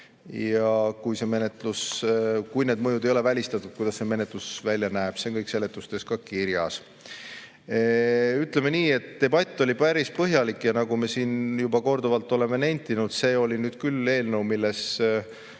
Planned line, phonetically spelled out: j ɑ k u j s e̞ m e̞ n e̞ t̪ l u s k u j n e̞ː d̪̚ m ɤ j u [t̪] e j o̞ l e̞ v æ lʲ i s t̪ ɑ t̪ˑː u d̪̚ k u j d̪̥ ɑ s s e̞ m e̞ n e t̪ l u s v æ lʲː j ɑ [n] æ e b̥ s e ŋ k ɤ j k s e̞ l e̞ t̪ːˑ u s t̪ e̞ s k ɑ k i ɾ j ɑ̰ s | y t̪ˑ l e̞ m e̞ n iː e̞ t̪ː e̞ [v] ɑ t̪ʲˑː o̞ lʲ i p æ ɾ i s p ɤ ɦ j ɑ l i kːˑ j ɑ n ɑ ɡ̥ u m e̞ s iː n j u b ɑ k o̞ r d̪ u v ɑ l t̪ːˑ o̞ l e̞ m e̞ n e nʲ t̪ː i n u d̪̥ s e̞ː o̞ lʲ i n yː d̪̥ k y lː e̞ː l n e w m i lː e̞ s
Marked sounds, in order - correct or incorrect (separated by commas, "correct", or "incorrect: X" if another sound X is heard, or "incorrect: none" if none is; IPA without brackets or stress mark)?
incorrect: d̪, correct, incorrect: b